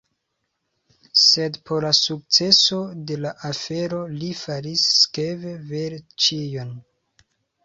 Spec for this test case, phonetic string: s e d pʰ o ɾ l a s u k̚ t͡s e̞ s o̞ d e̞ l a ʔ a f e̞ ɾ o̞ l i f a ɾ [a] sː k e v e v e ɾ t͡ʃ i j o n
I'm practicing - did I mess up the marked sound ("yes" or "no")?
yes